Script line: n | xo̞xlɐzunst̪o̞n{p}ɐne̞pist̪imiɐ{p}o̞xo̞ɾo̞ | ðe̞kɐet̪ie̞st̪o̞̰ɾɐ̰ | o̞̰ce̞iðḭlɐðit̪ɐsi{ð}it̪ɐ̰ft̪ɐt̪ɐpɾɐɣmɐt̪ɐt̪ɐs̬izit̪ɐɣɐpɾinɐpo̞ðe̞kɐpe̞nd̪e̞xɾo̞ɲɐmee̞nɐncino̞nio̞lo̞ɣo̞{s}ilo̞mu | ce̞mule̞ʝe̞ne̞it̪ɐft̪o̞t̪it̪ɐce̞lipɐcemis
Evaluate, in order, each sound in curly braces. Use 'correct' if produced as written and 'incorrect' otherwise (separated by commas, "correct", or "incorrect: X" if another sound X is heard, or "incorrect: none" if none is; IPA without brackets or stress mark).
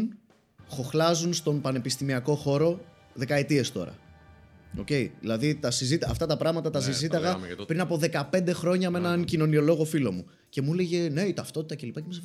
correct, incorrect: k, incorrect: z, incorrect: f